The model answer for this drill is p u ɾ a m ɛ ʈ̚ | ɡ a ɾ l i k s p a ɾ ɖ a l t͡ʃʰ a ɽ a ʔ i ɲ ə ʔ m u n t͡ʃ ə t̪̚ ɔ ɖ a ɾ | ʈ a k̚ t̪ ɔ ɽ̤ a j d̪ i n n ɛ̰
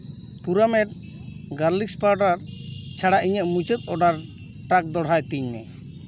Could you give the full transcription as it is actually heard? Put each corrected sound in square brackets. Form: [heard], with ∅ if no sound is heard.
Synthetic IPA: p u ɾ a m ɛ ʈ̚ | ɡ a ɾ l i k s p a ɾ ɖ a [ɾ] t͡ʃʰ a ɽ a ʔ i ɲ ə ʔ m u [∅] t͡ʃ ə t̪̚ ɔ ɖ a ɾ | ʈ a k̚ [d̪] ɔ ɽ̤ a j [t̪] i [ɲ] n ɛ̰